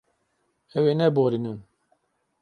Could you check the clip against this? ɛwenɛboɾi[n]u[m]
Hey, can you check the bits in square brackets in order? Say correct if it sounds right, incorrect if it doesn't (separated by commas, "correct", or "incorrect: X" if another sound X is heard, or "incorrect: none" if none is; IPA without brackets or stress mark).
correct, incorrect: n